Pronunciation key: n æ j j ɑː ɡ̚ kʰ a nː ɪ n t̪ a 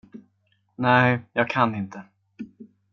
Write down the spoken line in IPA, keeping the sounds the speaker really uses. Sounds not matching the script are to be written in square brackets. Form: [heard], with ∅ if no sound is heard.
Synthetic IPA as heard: n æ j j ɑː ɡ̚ kʰ a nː ɪ n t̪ [ə]